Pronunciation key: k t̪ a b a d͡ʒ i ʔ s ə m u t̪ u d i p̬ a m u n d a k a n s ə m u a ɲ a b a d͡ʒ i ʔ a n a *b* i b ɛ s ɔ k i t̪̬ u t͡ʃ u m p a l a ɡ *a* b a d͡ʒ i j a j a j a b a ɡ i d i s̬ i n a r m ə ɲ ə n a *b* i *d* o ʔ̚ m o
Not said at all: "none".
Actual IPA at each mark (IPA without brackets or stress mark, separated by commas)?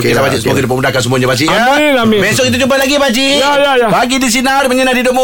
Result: m, i, d, d